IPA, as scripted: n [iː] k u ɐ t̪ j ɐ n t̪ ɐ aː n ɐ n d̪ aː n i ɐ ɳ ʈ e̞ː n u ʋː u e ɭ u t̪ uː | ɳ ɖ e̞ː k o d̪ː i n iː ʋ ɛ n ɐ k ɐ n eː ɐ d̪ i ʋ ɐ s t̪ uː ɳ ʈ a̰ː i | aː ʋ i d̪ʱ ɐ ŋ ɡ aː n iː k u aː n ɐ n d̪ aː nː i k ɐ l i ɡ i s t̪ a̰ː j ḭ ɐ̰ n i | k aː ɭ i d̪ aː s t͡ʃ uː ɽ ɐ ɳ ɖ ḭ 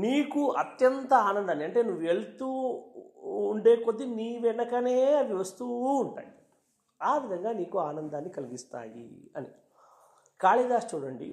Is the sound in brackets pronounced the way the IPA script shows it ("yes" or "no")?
yes